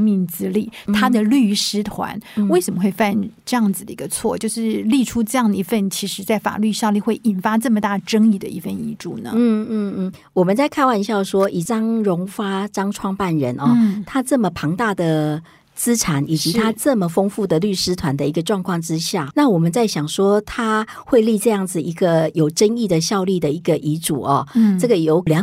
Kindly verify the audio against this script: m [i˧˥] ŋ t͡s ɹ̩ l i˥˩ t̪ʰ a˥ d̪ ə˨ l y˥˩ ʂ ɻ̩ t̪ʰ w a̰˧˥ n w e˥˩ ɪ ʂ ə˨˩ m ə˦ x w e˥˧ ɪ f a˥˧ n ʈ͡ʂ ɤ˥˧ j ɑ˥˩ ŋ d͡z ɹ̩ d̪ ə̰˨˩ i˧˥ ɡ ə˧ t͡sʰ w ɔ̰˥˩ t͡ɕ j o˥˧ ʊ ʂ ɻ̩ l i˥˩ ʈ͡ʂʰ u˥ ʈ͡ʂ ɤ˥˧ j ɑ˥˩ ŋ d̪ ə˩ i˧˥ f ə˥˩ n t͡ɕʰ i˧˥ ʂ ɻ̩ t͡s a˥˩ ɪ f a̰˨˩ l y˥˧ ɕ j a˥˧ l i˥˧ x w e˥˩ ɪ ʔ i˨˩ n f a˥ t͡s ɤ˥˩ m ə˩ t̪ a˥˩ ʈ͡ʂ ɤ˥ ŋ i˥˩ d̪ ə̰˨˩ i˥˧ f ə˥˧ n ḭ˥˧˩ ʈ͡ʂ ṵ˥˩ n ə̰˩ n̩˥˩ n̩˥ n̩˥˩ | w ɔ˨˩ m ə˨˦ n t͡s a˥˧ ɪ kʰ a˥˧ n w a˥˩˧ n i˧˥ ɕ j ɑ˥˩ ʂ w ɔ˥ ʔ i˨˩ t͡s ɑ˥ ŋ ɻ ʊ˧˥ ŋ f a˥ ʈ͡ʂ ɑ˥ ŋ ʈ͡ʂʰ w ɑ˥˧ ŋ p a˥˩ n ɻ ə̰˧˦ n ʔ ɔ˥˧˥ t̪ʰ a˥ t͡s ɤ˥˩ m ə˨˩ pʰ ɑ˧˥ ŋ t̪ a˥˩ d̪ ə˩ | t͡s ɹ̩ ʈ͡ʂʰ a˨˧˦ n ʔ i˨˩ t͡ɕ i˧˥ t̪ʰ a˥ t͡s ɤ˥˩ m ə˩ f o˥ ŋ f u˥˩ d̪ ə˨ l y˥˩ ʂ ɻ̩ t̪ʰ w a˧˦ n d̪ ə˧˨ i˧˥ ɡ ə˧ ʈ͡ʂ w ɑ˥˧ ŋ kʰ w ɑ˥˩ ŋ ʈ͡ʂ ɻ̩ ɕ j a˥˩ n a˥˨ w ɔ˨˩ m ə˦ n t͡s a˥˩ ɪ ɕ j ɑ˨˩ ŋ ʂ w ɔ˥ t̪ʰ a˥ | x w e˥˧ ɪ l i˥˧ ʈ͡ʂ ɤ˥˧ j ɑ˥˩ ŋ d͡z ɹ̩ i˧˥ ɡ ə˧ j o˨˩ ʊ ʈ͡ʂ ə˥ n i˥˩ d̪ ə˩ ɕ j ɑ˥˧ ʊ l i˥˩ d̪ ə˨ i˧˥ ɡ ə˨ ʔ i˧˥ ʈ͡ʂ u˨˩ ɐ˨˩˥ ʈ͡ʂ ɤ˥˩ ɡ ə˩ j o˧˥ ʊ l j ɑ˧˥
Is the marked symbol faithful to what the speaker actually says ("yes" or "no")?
no